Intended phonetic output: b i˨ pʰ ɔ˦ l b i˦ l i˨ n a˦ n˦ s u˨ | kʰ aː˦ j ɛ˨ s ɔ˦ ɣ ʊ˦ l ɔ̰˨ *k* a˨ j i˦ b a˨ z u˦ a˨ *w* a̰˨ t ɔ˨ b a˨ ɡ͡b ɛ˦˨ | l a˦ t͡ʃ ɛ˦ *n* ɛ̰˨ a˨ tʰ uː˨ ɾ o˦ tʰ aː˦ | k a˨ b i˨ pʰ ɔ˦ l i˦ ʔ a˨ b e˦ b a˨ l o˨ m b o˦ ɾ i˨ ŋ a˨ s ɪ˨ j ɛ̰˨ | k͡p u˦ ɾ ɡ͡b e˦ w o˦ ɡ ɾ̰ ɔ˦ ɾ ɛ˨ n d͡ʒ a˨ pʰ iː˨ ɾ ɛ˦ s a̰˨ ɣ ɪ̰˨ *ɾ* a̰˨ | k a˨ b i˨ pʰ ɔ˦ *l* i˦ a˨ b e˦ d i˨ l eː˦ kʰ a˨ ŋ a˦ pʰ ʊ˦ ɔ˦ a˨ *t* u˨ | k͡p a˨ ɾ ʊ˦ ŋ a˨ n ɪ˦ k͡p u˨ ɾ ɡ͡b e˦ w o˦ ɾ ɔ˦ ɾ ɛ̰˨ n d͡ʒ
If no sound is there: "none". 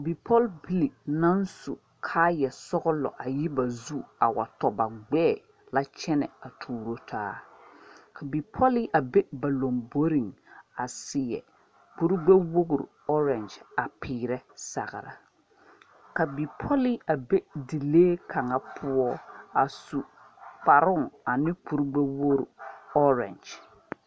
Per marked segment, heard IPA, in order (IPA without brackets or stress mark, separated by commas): ʔ, w, n, ɾ, l, s